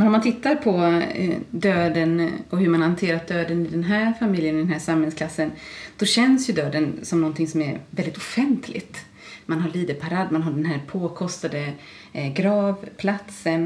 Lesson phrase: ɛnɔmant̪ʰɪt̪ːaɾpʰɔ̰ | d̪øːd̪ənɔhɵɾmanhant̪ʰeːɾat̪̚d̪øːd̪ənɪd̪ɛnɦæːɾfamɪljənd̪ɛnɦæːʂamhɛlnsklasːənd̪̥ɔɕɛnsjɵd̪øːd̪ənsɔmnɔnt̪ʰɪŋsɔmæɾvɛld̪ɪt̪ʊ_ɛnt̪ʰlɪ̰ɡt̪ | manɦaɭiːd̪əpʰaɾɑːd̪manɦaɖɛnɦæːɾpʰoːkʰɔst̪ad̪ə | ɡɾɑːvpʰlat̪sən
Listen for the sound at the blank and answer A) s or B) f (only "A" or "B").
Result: B